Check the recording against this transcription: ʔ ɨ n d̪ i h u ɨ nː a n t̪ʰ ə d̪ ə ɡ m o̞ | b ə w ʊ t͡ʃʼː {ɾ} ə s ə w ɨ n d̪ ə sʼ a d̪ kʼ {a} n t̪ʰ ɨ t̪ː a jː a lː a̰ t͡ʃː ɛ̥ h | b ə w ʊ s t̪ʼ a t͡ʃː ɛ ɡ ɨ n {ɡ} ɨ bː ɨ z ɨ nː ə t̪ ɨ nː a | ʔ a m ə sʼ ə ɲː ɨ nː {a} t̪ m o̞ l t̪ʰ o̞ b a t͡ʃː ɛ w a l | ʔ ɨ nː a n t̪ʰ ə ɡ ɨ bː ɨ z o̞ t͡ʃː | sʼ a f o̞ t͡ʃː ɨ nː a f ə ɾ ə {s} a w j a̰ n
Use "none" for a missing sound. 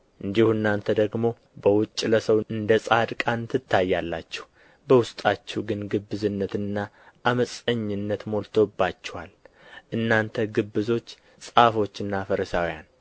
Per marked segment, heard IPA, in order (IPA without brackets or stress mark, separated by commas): l, a, ɡ, ə, s